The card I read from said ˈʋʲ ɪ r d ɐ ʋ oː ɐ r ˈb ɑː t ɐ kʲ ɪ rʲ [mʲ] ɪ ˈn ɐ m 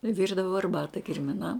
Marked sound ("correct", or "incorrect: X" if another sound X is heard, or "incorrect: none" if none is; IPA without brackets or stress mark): correct